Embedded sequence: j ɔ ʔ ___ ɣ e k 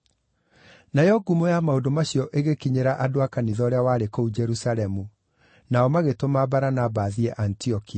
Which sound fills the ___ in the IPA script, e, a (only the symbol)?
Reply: e